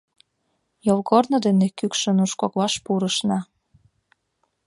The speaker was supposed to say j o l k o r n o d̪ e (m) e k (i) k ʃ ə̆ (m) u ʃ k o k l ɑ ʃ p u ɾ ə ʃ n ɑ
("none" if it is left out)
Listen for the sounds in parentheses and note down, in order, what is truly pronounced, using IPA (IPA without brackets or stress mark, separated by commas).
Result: n, y, n